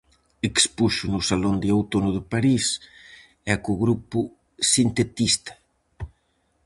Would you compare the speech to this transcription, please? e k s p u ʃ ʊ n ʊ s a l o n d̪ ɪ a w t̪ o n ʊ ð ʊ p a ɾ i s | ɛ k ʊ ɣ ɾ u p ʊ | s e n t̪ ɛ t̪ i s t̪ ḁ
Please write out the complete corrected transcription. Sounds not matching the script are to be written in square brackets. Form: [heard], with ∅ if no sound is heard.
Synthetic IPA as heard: e k s p u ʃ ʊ n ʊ s a l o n d̪ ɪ a w t̪ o n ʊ ð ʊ p a ɾ i s | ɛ k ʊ ɣ ɾ u p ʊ | s [i] n t̪ [e] t̪ i s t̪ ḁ